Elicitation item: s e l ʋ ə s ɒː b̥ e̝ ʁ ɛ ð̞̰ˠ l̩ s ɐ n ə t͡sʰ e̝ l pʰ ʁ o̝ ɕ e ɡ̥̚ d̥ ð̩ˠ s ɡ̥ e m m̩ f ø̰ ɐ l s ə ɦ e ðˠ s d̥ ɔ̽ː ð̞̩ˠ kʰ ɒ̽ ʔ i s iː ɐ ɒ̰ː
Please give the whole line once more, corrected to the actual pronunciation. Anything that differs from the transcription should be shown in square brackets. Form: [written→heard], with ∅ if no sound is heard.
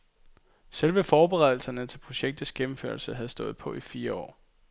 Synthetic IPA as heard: s e l ʋ ə [s→f] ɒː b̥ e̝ ʁ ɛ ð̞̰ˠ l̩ s ɐ n ə t͡sʰ e̝ l pʰ ʁ o̝ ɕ e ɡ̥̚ d̥ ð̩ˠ s ɡ̥ e m m̩ f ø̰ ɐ l s ə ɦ [e→æ] ðˠ s d̥ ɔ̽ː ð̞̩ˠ [kʰ→pʰ] ɒ̽ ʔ i [s→f] iː ɐ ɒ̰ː